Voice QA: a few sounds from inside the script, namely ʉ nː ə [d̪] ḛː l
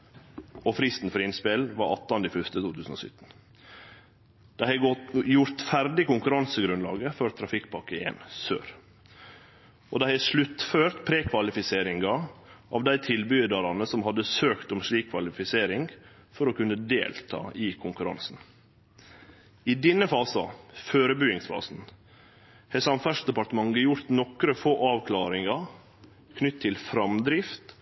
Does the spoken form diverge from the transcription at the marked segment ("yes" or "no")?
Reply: no